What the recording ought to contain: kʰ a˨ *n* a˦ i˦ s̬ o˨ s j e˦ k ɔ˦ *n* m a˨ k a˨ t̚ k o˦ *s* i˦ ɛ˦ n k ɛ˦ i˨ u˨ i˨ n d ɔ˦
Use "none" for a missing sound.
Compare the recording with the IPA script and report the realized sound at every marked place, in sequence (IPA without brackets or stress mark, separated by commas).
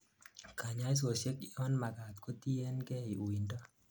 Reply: ɲ, n, t